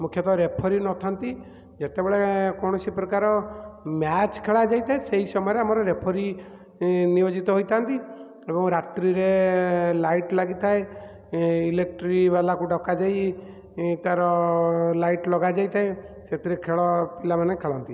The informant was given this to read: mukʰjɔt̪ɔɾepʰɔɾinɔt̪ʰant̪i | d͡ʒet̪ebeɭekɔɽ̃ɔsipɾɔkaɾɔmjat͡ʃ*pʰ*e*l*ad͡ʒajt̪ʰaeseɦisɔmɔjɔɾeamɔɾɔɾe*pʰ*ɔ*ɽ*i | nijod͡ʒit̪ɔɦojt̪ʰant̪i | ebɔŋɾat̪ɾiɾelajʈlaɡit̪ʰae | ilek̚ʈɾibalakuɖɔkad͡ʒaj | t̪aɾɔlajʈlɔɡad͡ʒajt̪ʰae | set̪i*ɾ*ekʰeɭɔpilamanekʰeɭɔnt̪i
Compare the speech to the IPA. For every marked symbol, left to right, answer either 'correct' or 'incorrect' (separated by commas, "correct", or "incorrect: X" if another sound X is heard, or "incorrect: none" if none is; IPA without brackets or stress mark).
incorrect: kʰ, incorrect: ɭ, correct, incorrect: ɾ, correct